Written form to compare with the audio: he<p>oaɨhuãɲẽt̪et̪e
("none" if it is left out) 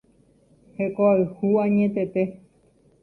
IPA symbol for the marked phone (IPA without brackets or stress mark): k